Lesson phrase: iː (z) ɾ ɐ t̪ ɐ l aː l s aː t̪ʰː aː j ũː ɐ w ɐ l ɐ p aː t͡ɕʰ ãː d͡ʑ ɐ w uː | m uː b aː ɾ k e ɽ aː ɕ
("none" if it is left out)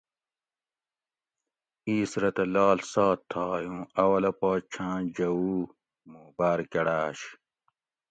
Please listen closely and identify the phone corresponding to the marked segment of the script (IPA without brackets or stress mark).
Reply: s